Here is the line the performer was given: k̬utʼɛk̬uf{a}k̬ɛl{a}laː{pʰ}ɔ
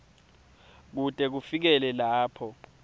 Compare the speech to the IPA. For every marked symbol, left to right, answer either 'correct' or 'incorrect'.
incorrect: i, incorrect: ɛ, correct

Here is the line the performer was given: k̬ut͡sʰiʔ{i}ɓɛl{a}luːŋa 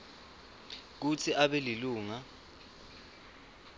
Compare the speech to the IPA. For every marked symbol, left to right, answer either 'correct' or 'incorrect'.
incorrect: a, incorrect: i

